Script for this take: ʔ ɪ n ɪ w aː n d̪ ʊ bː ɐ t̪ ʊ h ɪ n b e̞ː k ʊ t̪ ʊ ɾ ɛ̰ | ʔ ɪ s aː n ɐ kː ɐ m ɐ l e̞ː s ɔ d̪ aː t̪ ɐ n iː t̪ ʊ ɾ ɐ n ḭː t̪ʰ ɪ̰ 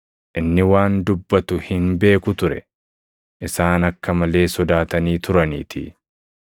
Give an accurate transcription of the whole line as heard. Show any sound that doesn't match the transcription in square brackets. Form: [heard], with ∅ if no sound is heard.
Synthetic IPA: ʔ ɪ [nː] ɪ w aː n d̪ ʊ bː ɐ t̪ ʊ h ɪ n b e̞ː k ʊ t̪ ʊ ɾ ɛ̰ | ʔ ɪ s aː n ɐ kː ɐ m ɐ l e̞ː s ɔ d̪ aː t̪ ɐ n iː t̪ ʊ ɾ ɐ n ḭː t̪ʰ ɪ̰